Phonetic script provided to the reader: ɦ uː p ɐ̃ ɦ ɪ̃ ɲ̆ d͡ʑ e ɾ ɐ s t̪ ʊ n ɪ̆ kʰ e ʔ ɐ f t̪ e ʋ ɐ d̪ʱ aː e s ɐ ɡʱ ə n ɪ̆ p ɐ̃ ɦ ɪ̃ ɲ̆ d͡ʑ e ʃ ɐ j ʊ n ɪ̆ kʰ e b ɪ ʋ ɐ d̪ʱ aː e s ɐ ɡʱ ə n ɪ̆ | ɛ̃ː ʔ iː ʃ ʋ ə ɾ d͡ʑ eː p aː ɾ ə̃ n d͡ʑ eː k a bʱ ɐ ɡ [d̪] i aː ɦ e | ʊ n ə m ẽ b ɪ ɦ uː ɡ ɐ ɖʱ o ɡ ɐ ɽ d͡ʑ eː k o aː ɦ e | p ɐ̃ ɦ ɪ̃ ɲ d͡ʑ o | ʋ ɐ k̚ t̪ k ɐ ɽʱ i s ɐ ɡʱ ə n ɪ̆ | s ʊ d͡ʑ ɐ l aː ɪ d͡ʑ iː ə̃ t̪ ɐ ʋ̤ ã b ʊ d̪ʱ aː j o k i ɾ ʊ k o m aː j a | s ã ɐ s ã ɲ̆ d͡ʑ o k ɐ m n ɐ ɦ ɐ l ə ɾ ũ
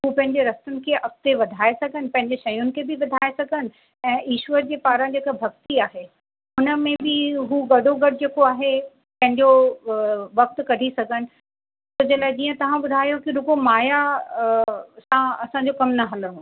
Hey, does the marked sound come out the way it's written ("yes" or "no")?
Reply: no